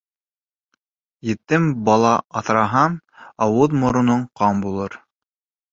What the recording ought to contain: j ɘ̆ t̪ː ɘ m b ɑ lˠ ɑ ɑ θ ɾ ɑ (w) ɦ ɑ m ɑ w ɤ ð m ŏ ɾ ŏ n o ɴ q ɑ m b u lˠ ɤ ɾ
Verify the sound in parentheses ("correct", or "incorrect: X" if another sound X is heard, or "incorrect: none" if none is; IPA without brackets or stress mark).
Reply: incorrect: none